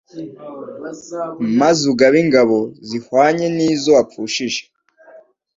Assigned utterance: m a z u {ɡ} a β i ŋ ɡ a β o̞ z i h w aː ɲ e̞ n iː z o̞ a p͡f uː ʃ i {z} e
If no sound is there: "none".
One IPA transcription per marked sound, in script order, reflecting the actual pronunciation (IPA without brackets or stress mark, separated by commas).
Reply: ɡ, ʒ